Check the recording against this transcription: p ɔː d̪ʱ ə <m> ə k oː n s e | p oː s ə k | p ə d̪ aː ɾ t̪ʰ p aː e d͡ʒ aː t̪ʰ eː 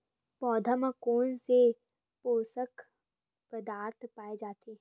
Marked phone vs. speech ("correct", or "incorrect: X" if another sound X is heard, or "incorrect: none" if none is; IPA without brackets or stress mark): correct